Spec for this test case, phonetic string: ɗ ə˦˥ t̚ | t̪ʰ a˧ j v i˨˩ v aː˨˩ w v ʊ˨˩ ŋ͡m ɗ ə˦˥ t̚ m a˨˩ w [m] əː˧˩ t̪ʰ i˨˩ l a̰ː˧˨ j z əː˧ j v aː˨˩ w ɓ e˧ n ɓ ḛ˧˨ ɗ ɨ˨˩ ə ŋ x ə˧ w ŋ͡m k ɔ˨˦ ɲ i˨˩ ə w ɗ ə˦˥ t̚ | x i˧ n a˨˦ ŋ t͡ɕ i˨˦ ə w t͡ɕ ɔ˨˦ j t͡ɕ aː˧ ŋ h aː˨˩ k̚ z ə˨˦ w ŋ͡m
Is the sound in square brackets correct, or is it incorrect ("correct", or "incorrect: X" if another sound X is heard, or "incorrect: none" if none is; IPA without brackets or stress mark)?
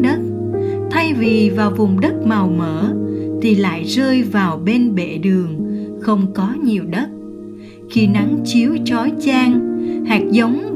correct